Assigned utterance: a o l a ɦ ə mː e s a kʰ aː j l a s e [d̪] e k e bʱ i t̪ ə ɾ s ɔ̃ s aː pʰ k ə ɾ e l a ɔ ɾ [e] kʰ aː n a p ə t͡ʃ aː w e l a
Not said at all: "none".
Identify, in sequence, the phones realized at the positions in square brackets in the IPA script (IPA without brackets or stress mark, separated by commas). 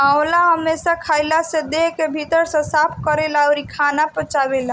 d̪, i